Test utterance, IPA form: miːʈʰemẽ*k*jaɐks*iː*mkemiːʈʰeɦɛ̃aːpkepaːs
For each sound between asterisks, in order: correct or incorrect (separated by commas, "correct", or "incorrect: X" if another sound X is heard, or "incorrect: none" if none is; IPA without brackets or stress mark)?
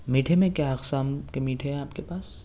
correct, incorrect: aː